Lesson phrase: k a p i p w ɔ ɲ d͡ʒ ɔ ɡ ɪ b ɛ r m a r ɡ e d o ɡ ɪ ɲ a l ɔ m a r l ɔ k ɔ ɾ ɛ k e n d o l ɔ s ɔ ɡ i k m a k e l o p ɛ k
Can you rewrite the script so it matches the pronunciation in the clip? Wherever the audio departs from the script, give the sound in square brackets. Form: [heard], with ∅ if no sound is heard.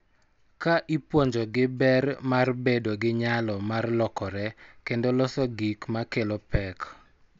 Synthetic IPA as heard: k a [ʔ] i p w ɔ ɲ d͡ʒ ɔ ɡ ɪ b ɛ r m a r [b] e d o ɡ ɪ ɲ a l ɔ m a r l ɔ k ɔ ɾ ɛ k e n d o l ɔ s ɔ ɡ i k m a k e l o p ɛ k